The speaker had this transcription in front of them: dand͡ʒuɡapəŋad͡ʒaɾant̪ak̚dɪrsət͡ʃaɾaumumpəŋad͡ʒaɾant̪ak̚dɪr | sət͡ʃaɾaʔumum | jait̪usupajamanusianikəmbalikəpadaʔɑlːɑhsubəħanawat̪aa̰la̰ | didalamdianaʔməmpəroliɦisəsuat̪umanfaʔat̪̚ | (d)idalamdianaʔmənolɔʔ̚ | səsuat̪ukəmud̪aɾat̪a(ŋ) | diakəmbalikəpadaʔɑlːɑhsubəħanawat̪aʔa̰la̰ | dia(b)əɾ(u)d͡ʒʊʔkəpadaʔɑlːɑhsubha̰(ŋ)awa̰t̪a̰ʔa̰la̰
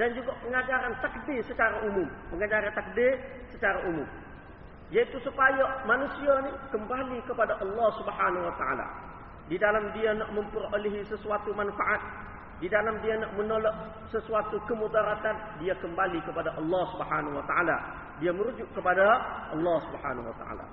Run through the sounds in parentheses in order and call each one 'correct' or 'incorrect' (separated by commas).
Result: correct, incorrect, incorrect, correct, incorrect